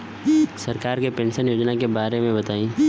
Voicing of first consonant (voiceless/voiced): voiceless